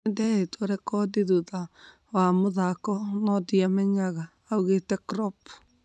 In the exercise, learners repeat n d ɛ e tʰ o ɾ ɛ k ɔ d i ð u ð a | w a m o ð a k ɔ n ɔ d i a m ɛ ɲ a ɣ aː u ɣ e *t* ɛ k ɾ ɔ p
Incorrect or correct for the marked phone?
correct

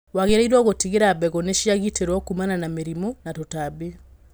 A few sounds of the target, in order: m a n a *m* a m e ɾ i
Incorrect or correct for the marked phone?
incorrect: n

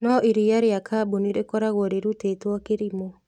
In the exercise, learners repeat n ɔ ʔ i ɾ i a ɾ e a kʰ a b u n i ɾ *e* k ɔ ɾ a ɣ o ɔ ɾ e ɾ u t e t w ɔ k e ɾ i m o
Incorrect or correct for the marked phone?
correct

